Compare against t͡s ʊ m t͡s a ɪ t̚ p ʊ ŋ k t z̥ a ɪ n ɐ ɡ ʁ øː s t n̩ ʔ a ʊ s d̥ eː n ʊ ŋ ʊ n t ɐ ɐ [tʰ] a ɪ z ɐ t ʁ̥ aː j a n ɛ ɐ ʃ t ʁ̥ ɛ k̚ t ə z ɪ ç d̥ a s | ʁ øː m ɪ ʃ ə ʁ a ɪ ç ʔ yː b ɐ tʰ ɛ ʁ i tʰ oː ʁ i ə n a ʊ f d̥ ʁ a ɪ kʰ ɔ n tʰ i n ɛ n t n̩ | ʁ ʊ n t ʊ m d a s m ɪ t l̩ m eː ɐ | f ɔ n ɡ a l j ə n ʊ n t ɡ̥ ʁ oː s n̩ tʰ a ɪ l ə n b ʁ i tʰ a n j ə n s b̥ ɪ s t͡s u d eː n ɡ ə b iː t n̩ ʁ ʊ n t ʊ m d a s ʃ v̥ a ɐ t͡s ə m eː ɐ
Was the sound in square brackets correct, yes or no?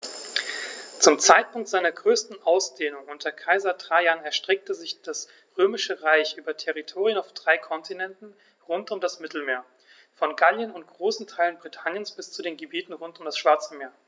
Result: no